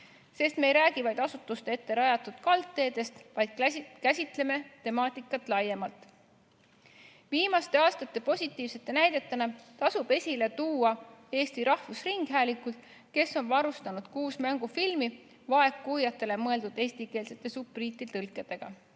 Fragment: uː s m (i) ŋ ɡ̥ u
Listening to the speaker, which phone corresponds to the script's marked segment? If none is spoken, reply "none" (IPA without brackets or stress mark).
æ